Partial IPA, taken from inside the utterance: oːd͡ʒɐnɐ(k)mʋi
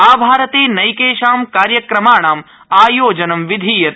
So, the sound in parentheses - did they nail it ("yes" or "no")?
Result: no